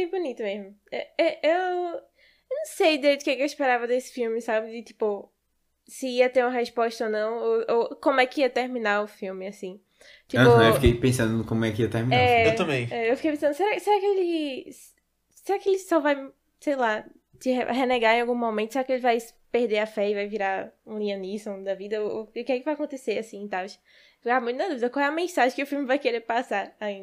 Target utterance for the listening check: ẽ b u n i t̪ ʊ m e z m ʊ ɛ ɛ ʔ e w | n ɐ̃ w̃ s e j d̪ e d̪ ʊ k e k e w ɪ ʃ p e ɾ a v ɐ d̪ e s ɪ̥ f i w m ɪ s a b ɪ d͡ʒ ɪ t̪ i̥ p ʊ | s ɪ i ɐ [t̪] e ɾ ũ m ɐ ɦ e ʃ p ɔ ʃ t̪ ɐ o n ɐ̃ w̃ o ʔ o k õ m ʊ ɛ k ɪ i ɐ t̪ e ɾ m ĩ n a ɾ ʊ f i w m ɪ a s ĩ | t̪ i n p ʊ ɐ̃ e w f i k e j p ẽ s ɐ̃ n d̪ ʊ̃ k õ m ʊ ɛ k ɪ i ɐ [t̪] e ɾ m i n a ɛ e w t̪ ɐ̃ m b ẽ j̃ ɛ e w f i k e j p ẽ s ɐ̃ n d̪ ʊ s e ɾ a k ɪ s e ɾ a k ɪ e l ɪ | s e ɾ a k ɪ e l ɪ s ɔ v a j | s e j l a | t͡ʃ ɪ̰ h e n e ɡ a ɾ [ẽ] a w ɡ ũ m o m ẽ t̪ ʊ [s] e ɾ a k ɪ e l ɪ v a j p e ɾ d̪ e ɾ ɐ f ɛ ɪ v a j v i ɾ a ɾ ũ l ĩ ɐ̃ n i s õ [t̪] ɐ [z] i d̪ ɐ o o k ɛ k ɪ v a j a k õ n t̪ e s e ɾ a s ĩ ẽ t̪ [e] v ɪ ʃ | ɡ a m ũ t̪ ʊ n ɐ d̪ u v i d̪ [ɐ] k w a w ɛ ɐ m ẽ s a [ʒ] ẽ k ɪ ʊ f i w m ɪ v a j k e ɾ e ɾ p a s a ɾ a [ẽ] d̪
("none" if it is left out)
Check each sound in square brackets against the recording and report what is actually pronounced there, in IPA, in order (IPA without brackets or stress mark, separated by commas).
t̪, t̪, ẽ, s, d̪, v, a, ɐ, ʒ, ĩ